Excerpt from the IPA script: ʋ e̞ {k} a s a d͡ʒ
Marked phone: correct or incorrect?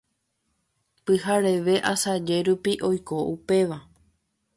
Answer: incorrect